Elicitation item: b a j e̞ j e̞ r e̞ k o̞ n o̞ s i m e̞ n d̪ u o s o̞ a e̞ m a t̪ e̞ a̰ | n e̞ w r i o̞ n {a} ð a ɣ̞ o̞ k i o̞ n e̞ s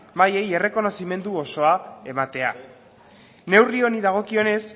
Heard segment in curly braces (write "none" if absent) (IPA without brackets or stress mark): i